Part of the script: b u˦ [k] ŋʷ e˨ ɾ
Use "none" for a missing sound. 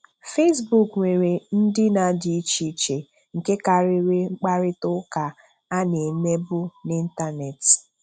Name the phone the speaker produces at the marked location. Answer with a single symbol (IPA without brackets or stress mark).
k